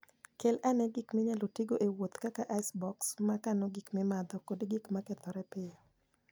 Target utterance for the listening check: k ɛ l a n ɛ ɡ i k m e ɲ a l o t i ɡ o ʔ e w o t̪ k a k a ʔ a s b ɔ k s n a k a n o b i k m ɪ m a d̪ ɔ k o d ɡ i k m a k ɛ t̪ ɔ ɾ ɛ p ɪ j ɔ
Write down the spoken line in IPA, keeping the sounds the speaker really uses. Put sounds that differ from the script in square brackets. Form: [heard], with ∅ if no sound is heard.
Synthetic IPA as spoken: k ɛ l a n ɛ ɡ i k m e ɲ a l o t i ɡ o ʔ e w o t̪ k a k a ʔ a s b ɔ k s [m] a k a n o [ɡ] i k m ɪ m a d̪ ɔ k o d ɡ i k m a k ɛ t̪ ɔ ɾ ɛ p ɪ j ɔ